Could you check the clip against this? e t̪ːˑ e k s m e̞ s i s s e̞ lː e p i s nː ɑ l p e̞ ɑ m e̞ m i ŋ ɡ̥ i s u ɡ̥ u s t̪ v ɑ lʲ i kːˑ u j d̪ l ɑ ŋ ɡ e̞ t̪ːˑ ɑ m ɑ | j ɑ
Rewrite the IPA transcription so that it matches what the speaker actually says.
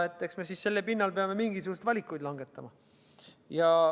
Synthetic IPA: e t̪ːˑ e k s m e̞ s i s s e̞ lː e p i nː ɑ l p e̞ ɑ m e̞ m i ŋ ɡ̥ i s u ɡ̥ u s t̪ v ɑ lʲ i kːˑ u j d̪ l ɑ ŋ ɡ e̞ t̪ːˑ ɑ m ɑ | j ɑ